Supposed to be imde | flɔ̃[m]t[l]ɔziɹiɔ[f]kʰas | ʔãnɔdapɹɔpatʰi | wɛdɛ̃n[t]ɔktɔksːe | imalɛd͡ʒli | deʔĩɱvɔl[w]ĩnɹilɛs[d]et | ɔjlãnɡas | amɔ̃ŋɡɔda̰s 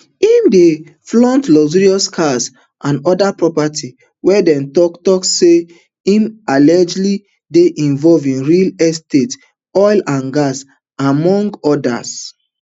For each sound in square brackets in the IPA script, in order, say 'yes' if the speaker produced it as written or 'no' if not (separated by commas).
no, yes, no, yes, no, no